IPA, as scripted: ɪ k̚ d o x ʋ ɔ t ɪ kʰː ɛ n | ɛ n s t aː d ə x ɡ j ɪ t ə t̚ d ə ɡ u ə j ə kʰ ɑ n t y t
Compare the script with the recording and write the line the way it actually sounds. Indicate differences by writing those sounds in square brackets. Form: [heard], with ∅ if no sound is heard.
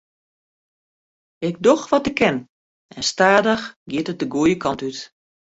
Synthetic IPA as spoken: ɪ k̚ d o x ʋ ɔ t ɪ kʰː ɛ n | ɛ n s t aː d ə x ɡ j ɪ t ə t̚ d ə ɡ u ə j ə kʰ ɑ n t y t